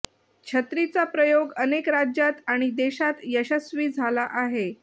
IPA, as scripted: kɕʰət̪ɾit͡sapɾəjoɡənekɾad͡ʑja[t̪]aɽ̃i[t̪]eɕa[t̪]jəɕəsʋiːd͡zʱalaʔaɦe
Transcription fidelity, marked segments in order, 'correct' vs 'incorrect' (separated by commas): correct, incorrect, correct